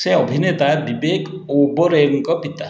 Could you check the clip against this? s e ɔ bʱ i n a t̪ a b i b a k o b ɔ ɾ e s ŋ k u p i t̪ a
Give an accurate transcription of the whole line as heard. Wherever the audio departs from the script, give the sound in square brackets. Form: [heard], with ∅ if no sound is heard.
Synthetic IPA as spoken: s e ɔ bʱ i n [e] t̪ a b i b [e] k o b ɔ ɾ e [∅] ŋ k [ɔ] p i t̪ a